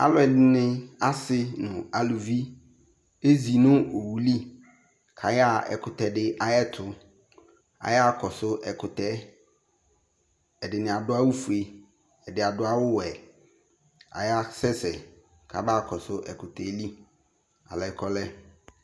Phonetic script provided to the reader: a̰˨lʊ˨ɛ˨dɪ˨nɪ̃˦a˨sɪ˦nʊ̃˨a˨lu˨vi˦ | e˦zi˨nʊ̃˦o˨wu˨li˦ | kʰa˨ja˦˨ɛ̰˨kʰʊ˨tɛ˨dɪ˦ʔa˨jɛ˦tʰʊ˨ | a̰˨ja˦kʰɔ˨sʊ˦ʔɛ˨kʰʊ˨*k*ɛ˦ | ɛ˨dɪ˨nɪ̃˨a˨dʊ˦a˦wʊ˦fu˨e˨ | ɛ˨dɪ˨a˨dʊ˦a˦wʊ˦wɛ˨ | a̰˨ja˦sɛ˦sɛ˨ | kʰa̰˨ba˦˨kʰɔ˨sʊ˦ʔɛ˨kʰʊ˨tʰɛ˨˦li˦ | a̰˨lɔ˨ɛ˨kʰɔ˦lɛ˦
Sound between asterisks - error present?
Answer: yes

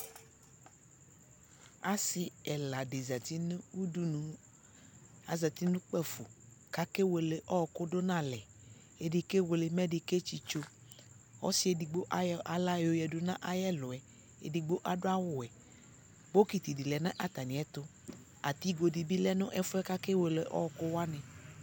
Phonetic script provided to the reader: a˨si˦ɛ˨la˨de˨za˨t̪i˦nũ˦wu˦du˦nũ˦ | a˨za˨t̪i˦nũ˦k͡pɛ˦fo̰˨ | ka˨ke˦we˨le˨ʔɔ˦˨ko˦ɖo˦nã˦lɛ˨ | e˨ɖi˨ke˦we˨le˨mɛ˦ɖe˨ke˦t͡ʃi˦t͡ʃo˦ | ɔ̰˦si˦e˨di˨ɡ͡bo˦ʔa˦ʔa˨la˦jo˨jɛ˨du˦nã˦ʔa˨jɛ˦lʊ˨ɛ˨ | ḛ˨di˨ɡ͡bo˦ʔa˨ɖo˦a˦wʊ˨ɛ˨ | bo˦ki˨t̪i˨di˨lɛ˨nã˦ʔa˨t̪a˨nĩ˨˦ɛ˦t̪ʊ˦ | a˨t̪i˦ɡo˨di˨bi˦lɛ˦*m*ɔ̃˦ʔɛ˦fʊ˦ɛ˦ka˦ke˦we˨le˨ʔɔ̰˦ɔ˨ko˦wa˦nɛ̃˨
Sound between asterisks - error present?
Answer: yes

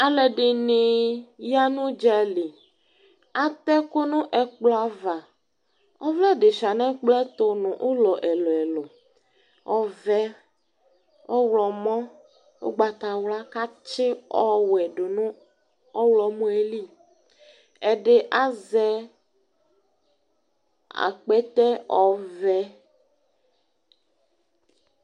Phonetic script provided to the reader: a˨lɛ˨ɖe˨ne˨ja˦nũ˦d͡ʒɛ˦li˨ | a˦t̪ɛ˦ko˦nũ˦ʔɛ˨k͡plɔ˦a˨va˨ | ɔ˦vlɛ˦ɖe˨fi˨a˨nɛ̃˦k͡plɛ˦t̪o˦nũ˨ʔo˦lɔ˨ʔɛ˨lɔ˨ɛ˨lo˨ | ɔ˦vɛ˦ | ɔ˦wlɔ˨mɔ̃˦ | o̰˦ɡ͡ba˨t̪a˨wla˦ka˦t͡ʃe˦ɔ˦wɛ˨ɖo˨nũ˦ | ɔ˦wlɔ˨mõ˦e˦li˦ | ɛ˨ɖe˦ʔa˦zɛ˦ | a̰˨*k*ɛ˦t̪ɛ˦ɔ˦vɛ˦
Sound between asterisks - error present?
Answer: yes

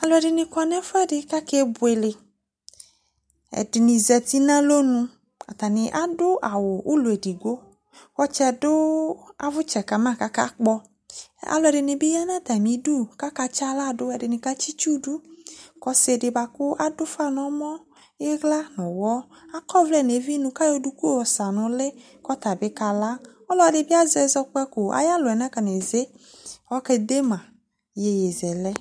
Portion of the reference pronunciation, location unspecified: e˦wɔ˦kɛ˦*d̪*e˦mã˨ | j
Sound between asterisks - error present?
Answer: no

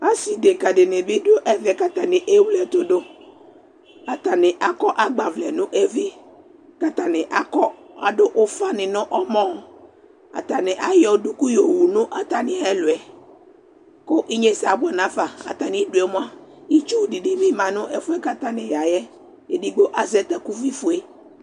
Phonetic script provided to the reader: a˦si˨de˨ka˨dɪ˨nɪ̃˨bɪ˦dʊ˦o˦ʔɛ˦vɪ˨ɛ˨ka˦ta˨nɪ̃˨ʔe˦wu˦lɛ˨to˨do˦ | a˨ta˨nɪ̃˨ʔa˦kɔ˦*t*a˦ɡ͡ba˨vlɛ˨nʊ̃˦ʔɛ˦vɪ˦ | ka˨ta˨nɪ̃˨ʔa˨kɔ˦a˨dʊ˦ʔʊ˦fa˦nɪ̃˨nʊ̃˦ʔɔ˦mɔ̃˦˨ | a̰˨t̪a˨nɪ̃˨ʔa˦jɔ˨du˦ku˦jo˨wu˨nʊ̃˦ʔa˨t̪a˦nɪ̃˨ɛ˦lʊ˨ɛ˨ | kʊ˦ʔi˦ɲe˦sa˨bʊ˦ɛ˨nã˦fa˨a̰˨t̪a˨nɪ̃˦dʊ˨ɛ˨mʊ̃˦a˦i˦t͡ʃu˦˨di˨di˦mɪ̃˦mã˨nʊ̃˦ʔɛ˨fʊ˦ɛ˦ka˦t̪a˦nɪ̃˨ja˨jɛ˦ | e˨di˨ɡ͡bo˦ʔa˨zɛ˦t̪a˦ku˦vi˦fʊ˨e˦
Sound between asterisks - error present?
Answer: yes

